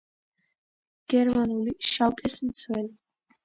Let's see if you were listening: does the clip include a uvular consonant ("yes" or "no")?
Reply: no